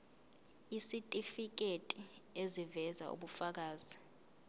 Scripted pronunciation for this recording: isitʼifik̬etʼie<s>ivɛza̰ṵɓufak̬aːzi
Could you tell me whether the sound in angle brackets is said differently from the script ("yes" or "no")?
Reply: yes